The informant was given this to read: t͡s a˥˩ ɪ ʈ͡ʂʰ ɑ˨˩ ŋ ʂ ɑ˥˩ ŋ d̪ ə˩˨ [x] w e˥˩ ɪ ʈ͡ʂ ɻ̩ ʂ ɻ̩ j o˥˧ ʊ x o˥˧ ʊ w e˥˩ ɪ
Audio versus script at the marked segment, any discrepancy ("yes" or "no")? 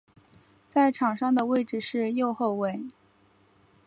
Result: yes